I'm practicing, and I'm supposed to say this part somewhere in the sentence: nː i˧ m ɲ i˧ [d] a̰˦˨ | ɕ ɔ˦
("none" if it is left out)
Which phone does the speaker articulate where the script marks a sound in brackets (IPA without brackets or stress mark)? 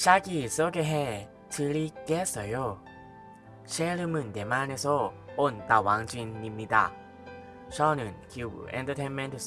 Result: d